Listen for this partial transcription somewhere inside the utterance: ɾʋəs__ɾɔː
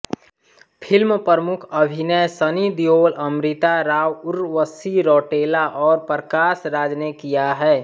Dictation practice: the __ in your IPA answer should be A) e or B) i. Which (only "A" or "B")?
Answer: B